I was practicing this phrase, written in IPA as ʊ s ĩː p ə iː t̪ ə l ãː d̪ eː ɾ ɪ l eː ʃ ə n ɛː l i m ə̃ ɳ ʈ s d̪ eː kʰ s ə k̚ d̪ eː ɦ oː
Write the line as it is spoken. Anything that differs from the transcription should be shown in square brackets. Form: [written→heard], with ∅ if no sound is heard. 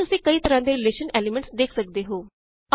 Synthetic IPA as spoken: ʊ s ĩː [p→k] ə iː t̪ ə [l→ɾ] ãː d̪ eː ɾ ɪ l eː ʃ ə n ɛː l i m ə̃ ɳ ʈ s d̪ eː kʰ s ə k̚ d̪ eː ɦ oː